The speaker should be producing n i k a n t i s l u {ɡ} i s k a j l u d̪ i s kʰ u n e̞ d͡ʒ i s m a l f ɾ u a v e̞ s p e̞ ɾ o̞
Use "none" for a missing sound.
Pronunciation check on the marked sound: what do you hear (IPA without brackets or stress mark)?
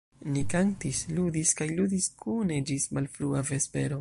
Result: d